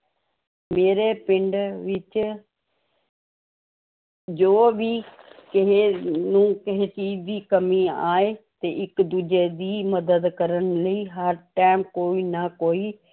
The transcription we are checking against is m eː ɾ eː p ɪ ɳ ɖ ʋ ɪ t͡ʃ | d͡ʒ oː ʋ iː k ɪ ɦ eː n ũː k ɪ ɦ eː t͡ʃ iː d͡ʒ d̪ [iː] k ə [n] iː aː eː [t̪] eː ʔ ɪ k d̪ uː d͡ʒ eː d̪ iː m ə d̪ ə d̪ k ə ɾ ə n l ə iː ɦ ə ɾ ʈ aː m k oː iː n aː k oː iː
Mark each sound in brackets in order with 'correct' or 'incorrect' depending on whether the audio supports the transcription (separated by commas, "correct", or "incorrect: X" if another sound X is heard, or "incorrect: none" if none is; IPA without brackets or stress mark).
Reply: correct, incorrect: m, correct